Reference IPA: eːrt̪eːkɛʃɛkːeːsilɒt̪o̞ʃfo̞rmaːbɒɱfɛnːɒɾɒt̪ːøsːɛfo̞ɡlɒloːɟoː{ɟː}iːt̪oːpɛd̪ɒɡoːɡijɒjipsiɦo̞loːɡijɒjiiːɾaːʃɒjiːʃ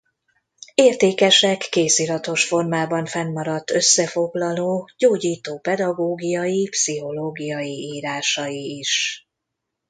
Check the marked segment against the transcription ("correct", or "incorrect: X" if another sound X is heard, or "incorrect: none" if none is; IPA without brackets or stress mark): incorrect: ɟ